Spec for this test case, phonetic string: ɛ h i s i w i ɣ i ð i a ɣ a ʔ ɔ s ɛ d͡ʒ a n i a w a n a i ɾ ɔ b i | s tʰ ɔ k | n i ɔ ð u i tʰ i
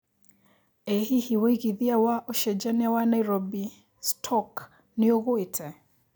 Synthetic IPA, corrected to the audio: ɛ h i h i w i ɣ i ð i a w a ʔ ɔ ʃ ɛ d͡ʒ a n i a w a n a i ɾ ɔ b i | s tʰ ɔ k | n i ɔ ɣ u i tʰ ɛ

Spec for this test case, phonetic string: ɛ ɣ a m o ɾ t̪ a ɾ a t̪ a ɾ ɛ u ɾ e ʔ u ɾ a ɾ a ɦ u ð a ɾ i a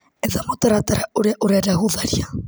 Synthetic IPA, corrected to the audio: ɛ ð a m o t̪ a ɾ a t̪ a ɾ a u ɾ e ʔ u ɾ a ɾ a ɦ u ð a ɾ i a

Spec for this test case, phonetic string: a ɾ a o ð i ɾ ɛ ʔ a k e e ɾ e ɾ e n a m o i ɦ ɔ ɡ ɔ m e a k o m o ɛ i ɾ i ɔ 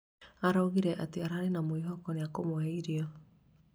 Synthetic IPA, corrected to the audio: a ɾ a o ɣ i ɾ ɛ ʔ a t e a ɾ a ɾ e n a m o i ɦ ɔ k ɔ n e a k o m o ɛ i ɾ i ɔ

